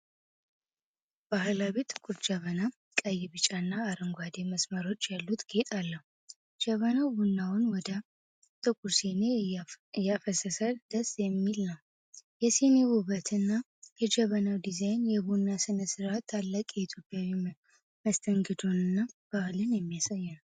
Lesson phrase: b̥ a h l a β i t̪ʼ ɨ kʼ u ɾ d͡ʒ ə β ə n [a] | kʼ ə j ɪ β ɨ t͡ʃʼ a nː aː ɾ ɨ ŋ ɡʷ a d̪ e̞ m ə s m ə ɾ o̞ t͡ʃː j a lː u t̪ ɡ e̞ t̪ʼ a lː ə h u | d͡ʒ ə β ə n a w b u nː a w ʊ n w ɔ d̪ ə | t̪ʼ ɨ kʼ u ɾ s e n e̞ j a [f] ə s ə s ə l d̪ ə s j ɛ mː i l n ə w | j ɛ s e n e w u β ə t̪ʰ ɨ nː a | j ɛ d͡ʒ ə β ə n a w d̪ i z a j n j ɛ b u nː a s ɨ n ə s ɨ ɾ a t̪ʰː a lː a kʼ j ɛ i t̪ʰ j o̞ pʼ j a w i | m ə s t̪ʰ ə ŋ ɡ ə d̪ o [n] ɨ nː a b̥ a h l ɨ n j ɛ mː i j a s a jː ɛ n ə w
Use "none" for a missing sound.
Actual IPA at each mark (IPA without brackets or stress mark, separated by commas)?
a, f, n